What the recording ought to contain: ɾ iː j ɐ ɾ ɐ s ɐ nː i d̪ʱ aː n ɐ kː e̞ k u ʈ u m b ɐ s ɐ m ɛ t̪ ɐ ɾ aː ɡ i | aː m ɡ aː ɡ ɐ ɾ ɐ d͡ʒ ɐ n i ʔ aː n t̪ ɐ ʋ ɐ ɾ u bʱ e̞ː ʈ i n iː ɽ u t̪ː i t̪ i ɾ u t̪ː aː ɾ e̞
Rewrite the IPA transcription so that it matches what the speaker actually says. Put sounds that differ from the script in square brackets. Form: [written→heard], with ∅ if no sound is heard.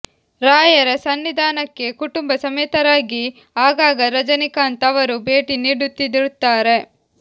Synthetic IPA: ɾ [iː→aː] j ɐ ɾ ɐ s ɐ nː i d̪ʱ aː n ɐ kː e̞ k u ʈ u m b ɐ s ɐ m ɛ t̪ ɐ ɾ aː ɡ i | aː [m→∅] ɡ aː ɡ ɐ ɾ ɐ d͡ʒ ɐ n i [ʔ→k] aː n t̪ ɐ ʋ ɐ ɾ u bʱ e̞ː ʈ i n iː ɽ u t̪ː i [t̪→d̪] i ɾ u t̪ː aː ɾ e̞

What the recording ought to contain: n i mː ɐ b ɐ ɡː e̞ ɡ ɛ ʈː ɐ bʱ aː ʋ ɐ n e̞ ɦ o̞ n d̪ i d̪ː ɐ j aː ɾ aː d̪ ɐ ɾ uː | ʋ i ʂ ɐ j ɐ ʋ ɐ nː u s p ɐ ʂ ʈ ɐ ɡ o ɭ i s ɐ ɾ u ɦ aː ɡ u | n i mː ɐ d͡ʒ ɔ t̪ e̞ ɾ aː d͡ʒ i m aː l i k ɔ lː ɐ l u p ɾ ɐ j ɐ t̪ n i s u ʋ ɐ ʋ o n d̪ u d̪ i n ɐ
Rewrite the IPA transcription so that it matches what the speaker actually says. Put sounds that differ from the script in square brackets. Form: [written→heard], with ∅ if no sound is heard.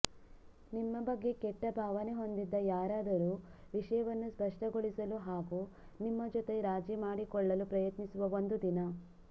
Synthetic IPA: n i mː ɐ b ɐ ɡː e̞ [ɡ→k] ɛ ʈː ɐ bʱ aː ʋ ɐ n e̞ ɦ o̞ n d̪ i d̪ː ɐ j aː ɾ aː d̪ ɐ ɾ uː | ʋ i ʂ ɐ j ɐ ʋ ɐ nː u s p ɐ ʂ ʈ ɐ ɡ o ɭ i s ɐ [ɾ→l] u ɦ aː ɡ u | n i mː ɐ d͡ʒ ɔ t̪ e̞ ɾ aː d͡ʒ i m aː [l→ɽ] i k ɔ [lː→ɭː] ɐ l u p ɾ ɐ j ɐ t̪ n i s u ʋ ɐ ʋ o n d̪ u d̪ i n ɐ

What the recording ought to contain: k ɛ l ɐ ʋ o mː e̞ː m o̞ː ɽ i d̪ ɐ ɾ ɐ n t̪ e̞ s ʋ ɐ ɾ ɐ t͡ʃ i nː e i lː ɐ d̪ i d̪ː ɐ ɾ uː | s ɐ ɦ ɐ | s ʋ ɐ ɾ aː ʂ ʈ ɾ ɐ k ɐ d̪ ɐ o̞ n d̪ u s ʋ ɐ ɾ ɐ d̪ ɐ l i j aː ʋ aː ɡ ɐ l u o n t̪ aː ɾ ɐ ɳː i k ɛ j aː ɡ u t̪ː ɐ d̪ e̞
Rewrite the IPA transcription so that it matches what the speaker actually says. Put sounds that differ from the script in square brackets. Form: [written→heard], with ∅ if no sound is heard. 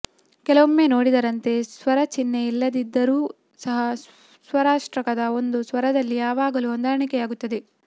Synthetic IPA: k ɛ l ɐ ʋ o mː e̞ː [m→n] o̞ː ɽ i d̪ ɐ ɾ ɐ n t̪ e̞ s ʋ ɐ ɾ ɐ t͡ʃ i nː e i lː ɐ d̪ i d̪ː ɐ ɾ uː | s ɐ ɦ ɐ | s ʋ ɐ ɾ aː ʂ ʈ ɾ ɐ k ɐ d̪ ɐ o̞ n d̪ u s ʋ ɐ ɾ ɐ d̪ ɐ [l→lː] i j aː ʋ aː ɡ ɐ l u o n [t̪→d̪] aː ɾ ɐ [ɳː→ɳ] i k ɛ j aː ɡ u t̪ː ɐ d̪ e̞

